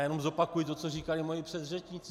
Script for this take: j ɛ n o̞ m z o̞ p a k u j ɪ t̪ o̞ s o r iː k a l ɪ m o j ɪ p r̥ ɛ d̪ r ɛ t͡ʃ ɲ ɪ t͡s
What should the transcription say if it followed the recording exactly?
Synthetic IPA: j ɛ n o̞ m z o̞ p a k u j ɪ t̪ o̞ t͡s o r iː k a l ɪ m o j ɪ p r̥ ɛ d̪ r ɛ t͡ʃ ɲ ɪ t͡s